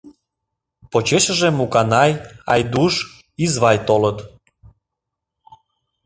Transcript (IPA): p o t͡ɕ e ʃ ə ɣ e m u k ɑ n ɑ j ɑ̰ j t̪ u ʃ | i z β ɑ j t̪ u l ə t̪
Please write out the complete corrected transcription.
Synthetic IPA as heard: p o t͡ɕ e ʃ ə ʒ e m u k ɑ n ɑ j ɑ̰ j d̪ u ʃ | i z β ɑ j t̪ o l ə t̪